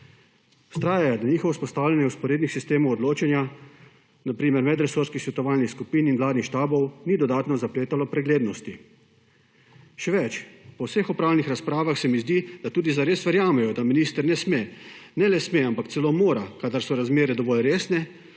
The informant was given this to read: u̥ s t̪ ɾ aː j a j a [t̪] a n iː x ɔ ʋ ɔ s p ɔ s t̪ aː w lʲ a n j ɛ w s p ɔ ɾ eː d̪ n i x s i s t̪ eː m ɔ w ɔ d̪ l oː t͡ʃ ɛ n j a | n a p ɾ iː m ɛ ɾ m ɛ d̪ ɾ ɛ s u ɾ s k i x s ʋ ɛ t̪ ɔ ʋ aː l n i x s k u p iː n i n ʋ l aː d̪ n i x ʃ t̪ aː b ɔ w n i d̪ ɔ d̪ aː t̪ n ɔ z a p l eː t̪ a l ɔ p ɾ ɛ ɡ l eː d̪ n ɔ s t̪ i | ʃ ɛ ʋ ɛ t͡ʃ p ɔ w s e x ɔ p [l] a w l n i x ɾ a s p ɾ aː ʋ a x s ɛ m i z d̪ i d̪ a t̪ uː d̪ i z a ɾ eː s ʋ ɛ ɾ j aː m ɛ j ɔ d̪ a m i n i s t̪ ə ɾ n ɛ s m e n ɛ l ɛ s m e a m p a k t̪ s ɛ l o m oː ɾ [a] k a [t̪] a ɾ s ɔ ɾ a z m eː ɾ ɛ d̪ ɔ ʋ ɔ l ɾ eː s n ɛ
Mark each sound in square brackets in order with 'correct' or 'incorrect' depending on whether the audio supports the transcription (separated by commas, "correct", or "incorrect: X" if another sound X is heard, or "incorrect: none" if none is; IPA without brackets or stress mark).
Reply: incorrect: d̪, incorrect: ɾ, correct, incorrect: d̪